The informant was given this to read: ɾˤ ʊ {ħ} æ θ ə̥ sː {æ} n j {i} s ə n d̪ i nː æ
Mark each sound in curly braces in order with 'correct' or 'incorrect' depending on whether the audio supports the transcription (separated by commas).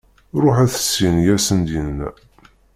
correct, incorrect, incorrect